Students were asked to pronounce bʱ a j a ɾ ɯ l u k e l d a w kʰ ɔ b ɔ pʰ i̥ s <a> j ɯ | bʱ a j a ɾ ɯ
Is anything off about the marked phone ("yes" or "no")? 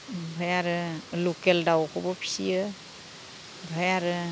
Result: yes